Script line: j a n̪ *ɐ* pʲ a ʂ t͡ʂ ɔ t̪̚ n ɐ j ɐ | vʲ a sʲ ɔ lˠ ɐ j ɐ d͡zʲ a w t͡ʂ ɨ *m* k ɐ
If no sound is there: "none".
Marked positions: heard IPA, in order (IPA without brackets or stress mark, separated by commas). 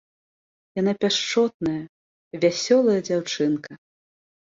a, n